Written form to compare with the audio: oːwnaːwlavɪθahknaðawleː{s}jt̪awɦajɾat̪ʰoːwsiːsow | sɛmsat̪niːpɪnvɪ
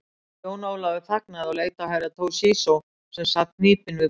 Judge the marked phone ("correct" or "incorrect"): incorrect